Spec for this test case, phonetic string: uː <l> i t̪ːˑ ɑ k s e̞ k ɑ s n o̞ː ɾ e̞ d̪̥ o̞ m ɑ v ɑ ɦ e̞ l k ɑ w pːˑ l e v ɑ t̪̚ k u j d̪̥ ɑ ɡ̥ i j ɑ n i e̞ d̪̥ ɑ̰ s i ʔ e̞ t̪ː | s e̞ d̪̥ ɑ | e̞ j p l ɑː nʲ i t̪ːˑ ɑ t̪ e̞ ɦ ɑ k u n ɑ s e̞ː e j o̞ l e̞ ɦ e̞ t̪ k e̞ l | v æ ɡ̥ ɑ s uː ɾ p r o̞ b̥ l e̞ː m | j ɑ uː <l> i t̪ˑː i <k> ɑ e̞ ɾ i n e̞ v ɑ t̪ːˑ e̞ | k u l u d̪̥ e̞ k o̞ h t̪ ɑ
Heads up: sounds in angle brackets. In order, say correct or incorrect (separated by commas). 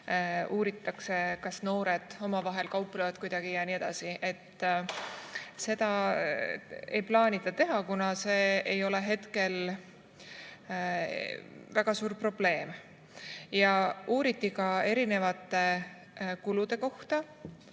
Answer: incorrect, incorrect, correct